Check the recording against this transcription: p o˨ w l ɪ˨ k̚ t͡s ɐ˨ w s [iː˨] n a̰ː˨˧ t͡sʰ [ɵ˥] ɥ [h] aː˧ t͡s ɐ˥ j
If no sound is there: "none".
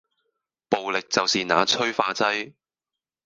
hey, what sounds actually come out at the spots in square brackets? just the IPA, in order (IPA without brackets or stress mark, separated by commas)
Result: iː˨, ɵ˥, f